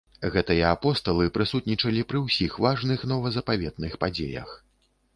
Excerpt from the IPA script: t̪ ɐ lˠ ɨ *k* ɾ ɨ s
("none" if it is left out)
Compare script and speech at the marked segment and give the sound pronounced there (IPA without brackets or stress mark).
p